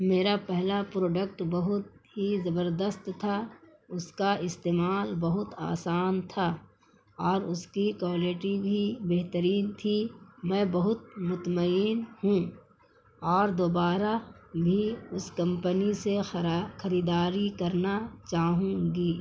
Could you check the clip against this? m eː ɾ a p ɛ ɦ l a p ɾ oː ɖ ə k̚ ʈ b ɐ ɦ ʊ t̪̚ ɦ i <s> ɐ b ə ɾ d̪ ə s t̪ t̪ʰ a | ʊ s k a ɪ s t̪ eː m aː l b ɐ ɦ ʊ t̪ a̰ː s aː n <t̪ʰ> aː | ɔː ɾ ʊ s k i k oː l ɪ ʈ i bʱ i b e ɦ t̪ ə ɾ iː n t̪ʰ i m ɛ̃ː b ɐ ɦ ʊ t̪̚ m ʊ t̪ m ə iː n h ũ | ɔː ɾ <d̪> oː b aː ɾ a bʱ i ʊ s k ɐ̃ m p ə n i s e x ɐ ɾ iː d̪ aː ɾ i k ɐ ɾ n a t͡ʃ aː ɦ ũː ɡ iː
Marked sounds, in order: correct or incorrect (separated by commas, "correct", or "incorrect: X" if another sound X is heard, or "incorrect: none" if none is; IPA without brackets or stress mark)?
incorrect: z, correct, correct